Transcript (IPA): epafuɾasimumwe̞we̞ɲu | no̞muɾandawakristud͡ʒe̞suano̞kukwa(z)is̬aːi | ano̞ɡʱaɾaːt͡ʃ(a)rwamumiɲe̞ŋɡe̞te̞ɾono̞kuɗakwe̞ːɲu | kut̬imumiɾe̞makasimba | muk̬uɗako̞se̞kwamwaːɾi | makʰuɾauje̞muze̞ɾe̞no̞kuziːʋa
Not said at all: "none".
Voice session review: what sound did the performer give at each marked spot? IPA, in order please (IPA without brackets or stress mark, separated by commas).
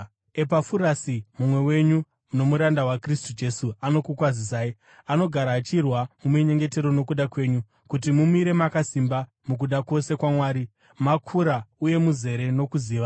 z, i